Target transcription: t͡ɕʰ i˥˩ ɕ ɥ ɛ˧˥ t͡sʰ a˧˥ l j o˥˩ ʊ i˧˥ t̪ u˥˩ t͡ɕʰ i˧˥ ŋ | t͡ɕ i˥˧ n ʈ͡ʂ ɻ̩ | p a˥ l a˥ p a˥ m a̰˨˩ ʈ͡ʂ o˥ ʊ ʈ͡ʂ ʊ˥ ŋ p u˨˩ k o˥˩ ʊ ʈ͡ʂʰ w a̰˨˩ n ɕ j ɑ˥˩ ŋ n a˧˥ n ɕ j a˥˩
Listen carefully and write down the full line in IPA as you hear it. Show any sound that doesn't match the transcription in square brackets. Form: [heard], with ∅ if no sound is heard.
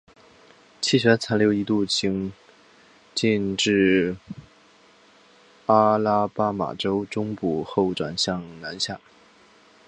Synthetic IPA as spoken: t͡ɕʰ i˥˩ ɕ ɥ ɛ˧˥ t͡sʰ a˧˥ l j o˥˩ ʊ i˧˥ t̪ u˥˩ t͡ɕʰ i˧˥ ŋ | t͡ɕ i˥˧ n ʈ͡ʂ ɻ̩ | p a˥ l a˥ p a˥ m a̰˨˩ ʈ͡ʂ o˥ ʊ ʈ͡ʂ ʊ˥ ŋ p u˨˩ [x] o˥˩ ʊ [ʈ͡ʂ] w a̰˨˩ n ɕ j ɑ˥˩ ŋ n a˧˥ n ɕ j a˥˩